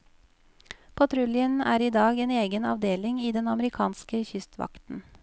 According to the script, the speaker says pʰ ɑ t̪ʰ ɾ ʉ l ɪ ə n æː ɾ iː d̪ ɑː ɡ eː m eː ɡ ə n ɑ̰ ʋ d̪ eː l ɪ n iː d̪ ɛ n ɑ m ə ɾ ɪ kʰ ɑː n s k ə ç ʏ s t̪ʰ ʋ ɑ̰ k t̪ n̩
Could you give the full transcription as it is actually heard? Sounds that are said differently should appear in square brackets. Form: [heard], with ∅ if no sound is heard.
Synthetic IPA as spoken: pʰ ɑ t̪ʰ ɾ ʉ l ɪ ə n æː ɾ iː d̪ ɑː ɡ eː [n] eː ɡ ə n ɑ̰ ʋ d̪ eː l ɪ [ŋ] iː d̪ ɛ n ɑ m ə ɾ ɪ kʰ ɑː n s k ə ç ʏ s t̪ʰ ʋ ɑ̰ k t̪ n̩